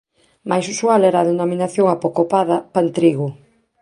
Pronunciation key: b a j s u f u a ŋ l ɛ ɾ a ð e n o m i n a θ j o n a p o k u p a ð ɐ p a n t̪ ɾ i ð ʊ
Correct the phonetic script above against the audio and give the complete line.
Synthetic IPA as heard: m a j s u s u a l ɛ ɾ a ð e n o m i n a θ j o ŋ a p o k o p a ð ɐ p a n t̪ ɾ i ɣ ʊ